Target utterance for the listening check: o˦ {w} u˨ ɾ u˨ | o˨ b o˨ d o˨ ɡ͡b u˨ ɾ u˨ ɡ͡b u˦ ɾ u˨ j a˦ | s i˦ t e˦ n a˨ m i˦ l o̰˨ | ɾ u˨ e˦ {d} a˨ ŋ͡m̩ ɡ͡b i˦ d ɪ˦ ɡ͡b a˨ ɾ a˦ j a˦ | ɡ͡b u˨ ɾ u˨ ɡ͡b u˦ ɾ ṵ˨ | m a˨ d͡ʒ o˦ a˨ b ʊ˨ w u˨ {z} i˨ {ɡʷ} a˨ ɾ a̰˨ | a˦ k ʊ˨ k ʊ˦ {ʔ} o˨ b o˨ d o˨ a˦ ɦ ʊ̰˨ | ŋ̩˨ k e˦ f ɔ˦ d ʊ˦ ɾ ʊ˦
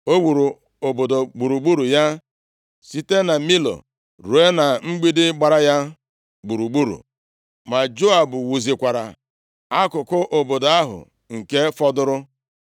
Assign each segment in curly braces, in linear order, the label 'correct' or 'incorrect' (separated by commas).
correct, incorrect, correct, incorrect, correct